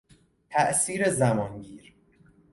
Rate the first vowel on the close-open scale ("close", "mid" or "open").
open